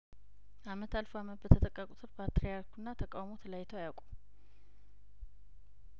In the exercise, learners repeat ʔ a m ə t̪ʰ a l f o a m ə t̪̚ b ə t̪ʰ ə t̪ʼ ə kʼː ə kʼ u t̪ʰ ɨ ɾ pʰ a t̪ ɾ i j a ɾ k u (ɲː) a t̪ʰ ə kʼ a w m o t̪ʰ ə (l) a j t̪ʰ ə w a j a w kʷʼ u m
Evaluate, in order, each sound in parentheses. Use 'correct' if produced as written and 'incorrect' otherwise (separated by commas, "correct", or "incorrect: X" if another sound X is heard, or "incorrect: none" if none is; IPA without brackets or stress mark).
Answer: incorrect: nː, correct